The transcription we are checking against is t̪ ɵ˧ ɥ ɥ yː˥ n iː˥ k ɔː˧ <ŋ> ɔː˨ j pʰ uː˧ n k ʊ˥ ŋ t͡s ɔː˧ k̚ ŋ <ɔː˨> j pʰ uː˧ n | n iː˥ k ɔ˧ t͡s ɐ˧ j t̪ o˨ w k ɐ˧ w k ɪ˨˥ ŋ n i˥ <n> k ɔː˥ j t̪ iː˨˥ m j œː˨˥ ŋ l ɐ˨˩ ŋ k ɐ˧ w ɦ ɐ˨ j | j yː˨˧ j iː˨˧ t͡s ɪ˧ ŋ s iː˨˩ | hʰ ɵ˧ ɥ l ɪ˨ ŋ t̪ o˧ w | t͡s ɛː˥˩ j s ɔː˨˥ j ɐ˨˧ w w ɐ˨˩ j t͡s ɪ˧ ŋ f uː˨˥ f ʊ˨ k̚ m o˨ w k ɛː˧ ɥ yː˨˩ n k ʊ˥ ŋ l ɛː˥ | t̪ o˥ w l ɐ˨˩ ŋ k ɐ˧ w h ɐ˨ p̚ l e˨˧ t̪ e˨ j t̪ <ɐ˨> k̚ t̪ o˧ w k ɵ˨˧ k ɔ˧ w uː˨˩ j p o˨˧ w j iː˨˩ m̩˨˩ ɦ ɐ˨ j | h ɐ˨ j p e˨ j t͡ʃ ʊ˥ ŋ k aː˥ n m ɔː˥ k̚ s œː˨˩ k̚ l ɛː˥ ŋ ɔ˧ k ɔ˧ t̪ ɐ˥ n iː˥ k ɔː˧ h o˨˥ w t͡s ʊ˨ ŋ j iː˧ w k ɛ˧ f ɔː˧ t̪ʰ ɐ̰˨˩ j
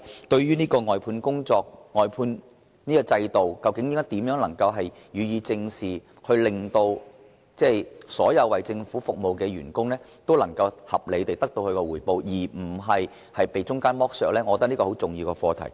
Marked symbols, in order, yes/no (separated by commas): yes, yes, no, no